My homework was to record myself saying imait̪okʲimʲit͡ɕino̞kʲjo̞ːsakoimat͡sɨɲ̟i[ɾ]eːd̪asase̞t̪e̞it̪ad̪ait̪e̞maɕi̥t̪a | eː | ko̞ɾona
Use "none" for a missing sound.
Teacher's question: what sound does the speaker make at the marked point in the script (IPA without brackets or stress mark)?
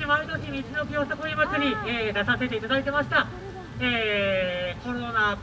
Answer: none